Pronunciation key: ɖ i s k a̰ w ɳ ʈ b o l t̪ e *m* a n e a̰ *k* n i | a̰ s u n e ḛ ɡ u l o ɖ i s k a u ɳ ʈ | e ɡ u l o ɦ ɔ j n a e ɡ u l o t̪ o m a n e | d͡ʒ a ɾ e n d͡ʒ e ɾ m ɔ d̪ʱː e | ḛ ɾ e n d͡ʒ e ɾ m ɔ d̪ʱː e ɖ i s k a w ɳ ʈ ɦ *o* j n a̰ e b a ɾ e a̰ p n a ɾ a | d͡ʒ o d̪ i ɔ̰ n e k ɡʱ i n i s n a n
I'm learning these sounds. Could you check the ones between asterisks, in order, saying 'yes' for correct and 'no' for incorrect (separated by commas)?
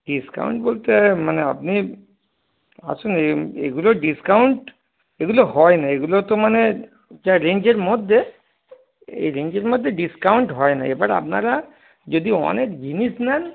yes, no, no